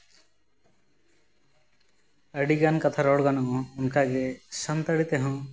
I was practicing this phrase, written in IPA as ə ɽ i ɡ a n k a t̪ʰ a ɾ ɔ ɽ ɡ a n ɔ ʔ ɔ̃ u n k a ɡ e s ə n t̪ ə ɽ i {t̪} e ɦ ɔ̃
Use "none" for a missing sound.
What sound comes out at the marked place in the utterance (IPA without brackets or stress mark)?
t̪